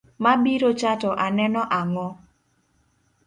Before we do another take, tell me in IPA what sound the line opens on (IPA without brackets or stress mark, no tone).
m